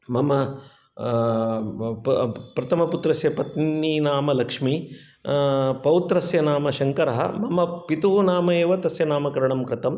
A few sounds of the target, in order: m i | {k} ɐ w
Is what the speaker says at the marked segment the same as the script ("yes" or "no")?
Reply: no